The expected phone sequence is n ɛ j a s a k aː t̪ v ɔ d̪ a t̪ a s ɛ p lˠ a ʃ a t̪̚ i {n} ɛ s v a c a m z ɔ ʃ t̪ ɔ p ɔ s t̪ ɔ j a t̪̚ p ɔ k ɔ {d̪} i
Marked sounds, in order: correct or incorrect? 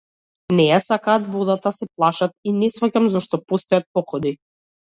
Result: correct, correct

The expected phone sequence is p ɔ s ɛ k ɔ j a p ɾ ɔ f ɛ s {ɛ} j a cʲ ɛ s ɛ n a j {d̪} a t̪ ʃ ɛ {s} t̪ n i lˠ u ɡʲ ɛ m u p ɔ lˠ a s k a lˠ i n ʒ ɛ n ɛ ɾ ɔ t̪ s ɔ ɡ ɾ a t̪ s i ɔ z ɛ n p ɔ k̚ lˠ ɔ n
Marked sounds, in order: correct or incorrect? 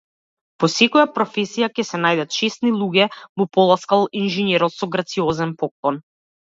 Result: incorrect: i, correct, correct

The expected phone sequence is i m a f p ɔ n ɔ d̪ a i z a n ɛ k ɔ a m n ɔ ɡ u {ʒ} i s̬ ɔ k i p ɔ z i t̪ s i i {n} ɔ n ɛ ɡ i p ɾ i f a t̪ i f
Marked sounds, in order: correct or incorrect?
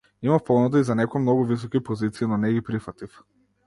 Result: incorrect: v, correct

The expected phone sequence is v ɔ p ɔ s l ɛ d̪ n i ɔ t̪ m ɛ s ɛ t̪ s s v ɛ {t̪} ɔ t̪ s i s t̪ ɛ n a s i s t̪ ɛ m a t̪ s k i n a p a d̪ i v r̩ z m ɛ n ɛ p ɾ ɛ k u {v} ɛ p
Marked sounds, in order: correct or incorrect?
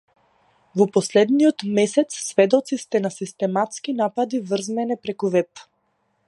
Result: incorrect: d̪, correct

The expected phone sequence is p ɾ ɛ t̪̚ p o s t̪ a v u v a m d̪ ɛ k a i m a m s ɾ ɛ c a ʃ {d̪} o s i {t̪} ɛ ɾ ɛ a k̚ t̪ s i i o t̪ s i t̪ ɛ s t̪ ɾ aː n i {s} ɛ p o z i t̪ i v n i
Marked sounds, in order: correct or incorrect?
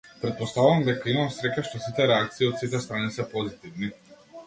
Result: incorrect: t̪, correct, correct

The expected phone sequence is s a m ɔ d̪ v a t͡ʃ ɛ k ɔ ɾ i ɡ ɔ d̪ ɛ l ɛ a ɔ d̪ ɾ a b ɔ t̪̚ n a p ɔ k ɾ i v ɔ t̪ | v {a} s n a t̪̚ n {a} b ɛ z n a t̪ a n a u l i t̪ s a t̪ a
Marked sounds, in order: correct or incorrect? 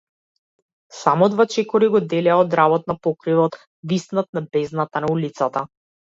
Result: incorrect: i, correct

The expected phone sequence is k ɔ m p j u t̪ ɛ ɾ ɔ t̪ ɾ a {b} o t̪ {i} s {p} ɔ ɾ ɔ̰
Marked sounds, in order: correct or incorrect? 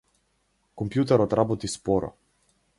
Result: correct, correct, correct

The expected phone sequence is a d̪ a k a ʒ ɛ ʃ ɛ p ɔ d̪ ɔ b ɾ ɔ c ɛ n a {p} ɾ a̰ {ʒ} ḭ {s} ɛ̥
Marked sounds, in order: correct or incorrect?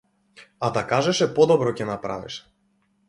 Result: correct, incorrect: v, incorrect: ʃ

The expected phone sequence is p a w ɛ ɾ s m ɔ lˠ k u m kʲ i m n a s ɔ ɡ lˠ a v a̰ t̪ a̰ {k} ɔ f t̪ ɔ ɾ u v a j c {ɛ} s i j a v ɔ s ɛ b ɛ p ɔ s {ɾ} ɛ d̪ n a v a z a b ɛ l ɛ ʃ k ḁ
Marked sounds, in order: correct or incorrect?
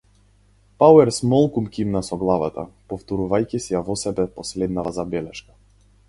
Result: incorrect: p, incorrect: i, incorrect: l

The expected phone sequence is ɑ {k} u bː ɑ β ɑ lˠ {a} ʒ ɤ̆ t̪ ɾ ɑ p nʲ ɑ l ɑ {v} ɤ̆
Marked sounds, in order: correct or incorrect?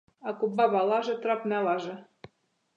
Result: correct, incorrect: ɑ, incorrect: ʒ

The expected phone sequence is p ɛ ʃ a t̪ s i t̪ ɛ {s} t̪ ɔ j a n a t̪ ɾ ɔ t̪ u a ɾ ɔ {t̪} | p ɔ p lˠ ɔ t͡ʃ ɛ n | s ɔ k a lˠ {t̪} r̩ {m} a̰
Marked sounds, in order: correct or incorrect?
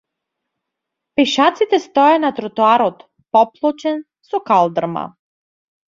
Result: correct, correct, incorrect: d̪, correct

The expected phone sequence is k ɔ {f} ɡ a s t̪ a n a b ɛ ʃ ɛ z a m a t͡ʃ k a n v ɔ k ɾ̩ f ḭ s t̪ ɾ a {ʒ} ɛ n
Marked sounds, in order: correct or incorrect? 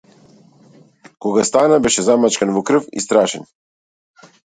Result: incorrect: none, incorrect: ʃ

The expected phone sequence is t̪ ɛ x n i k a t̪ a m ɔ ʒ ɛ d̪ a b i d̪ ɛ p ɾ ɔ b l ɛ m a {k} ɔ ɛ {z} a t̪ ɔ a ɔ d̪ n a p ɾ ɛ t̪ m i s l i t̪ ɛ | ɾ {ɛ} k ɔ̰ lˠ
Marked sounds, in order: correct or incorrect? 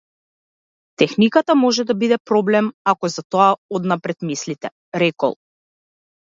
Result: correct, correct, correct

